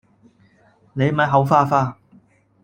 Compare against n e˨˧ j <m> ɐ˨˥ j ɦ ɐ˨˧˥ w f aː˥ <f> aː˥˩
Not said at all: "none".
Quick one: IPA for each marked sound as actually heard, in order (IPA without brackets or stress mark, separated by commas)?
m, f